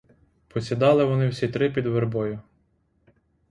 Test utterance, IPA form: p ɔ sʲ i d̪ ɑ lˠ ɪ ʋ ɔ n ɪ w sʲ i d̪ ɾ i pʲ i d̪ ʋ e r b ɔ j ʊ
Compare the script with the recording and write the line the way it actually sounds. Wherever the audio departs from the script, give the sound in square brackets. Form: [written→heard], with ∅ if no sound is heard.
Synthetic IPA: p ɔ sʲ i d̪ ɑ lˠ ɪ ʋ ɔ n ɪ w sʲ i [d̪→t̪] ɾ [i→ɪ] pʲ i d̪ ʋ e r b ɔ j ʊ